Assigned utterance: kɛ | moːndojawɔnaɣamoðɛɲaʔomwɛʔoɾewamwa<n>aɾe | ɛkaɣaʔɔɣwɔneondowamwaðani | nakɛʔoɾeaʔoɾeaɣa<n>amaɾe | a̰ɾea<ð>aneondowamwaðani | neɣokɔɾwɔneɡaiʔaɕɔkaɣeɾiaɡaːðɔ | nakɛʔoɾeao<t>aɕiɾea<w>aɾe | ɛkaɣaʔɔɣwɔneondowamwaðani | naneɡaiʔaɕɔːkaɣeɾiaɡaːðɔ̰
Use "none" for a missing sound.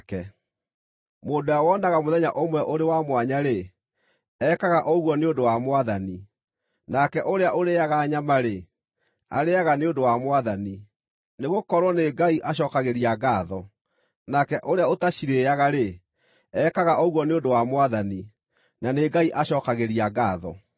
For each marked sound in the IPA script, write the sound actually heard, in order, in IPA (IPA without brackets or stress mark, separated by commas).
ɲ, ɲ, ɣ, t, ɣ